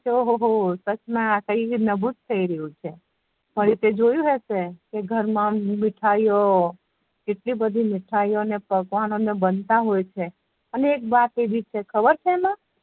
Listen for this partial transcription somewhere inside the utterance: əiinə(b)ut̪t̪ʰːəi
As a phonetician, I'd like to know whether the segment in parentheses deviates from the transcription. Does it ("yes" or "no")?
no